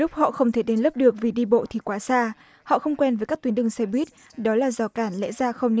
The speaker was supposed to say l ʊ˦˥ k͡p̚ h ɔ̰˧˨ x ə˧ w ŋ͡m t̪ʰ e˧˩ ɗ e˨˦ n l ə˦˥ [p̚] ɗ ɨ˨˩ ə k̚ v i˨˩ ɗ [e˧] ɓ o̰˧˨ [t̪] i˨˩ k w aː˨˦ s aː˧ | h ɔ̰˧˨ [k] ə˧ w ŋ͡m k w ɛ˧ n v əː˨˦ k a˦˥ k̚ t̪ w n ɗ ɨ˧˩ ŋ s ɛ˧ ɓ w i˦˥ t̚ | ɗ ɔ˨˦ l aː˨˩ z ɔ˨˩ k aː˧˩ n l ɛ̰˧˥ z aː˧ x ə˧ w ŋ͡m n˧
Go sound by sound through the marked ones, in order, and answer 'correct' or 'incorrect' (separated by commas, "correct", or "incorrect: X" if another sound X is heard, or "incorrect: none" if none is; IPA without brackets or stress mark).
correct, incorrect: i˧, incorrect: t̪ʰ, incorrect: x